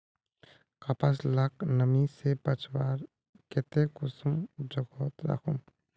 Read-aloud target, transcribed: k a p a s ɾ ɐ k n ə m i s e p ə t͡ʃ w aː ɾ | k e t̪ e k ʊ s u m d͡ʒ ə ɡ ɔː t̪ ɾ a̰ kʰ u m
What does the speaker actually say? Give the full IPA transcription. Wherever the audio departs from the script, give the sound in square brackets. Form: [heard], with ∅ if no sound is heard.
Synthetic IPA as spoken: k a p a s [l] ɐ k n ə m i s e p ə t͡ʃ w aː ɾ | k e t̪ e k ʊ s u m d͡ʒ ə ɡ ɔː t̪ ɾ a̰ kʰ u m